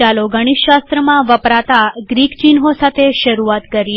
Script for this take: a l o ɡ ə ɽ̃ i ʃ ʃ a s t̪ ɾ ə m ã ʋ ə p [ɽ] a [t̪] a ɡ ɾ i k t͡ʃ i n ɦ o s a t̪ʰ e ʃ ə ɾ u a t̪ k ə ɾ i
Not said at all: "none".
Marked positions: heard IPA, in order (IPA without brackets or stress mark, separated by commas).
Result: ɾ, t̪